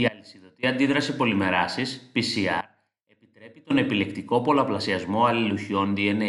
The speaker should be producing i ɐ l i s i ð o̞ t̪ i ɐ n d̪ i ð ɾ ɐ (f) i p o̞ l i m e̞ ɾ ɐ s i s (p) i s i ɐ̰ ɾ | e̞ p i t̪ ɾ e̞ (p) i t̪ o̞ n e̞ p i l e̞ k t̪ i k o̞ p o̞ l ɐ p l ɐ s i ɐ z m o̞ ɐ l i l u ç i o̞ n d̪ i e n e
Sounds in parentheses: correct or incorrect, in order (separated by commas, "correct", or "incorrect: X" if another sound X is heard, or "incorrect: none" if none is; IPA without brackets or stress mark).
incorrect: s, correct, correct